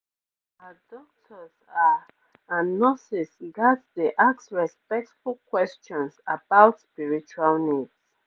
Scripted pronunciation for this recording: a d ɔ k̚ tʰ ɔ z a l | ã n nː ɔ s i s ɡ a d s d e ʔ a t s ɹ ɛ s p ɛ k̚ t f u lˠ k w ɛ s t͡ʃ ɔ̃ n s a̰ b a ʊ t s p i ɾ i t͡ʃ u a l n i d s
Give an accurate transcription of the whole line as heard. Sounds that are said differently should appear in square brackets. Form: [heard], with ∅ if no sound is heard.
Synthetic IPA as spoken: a d ɔ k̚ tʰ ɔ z a [∅] | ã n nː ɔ s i s ɡ a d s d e ʔ a [k] s ɹ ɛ s p ɛ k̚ t f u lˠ k w ɛ s t͡ʃ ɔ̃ n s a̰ b a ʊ t s p i [ɹ] i t͡ʃ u a l n i d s